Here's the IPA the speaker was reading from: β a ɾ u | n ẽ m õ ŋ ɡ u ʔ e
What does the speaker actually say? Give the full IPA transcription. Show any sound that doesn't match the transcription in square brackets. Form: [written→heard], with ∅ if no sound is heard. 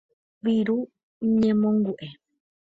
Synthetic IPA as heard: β [a→i] ɾ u | [n→ɲ] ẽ m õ ŋ ɡ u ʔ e